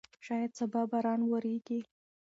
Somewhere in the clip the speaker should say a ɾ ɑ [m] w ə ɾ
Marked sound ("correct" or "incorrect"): incorrect